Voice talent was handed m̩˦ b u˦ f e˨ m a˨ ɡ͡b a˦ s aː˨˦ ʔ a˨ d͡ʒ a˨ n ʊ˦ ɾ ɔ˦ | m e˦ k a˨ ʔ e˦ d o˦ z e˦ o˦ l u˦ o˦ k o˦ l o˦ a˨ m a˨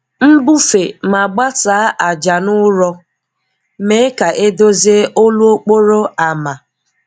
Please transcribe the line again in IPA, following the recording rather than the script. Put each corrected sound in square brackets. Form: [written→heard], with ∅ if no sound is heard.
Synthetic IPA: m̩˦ b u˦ f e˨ m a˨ ɡ͡b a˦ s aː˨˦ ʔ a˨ d͡ʒ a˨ n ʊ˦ ɾ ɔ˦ | m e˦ k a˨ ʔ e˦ d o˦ z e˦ o˦ l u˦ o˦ [k→k͡p] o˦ [l→ɾ] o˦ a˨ m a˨